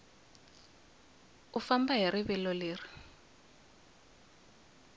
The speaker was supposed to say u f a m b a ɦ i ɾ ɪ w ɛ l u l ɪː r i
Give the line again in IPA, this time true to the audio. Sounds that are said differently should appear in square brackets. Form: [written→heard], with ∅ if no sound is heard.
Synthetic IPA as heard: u f a m b a ɦ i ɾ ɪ [w→β] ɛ l [u→ɔ] l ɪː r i